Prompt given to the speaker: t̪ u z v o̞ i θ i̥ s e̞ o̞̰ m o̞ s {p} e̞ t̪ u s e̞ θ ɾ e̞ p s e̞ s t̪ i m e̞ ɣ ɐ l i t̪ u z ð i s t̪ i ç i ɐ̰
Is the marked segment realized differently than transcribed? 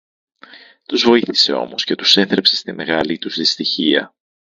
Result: yes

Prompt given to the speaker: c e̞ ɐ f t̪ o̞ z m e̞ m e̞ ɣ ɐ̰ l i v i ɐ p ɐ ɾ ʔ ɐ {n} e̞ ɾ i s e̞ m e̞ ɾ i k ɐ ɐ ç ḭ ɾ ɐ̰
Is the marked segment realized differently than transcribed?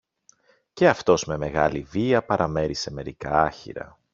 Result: yes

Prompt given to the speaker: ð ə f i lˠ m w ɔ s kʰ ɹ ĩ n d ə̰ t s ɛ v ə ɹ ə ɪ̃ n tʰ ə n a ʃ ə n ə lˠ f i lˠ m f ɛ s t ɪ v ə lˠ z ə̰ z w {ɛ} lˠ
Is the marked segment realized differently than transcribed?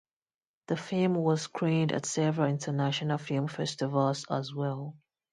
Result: no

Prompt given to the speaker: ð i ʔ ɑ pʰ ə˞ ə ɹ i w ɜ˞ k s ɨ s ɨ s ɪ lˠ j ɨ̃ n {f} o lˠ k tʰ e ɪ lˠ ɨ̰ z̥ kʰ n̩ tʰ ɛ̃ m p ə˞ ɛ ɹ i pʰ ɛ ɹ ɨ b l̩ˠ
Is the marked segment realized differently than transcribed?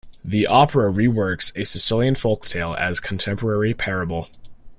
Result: no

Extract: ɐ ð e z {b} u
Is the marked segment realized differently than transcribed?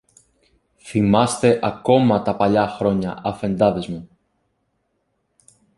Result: yes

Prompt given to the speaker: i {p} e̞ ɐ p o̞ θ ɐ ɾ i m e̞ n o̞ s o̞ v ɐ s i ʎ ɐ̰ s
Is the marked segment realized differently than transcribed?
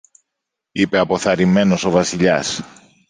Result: no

